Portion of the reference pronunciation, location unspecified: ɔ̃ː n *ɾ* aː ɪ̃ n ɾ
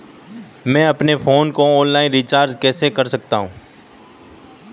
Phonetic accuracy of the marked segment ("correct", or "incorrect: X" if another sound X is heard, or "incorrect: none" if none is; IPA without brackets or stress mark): incorrect: l